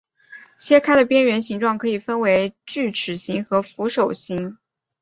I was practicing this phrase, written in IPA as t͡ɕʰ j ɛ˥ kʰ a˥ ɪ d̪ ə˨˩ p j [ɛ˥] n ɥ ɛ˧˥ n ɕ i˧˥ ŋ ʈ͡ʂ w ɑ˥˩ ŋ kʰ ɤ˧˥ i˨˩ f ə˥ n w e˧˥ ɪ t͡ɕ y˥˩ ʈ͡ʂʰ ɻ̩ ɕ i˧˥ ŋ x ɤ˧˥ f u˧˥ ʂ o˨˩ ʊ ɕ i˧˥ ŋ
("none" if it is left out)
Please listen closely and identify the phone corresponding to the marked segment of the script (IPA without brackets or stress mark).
ɛ˥